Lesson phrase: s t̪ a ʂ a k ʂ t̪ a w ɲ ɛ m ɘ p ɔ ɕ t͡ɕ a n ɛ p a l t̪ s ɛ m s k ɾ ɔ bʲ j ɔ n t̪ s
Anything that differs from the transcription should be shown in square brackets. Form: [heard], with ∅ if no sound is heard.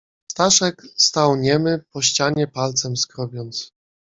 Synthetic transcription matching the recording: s t̪ a ʂ [ɛ] k [s] t̪ a w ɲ ɛ m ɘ p ɔ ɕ t͡ɕ a [ɲ] ɛ p a l t̪ s ɛ m s k ɾ ɔ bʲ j ɔ n t̪ s